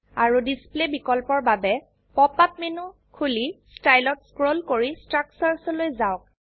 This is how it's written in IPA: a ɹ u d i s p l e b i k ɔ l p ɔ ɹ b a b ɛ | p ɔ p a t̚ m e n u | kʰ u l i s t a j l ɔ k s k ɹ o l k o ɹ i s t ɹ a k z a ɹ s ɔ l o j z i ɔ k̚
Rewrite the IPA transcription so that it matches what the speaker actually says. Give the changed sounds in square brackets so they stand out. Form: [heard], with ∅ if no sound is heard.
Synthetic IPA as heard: a ɹ u d i s p l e b i k ɔ l p ɔ ɹ b a b ɛ | p ɔ p a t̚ m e n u | kʰ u l i s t a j l ɔ [t] s k ɹ o l k o ɹ i s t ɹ a k [s] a ɹ s ɔ l o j z [a] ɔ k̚